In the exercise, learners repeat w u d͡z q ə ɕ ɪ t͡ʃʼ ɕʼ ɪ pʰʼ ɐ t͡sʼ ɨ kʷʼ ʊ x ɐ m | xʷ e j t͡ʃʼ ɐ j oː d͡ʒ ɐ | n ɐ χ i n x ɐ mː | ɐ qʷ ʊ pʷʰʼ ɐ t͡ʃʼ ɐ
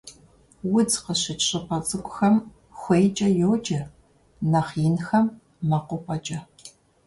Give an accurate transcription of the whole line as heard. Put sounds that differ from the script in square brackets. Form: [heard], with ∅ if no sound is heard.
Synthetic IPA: w [ʊ] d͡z q ə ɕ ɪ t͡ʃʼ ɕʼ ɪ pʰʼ ɐ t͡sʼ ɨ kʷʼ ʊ x ɐ m | xʷ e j t͡ʃʼ ɐ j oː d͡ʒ ɐ | n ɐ χ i n x ɐ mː | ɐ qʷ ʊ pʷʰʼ ɐ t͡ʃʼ ɐ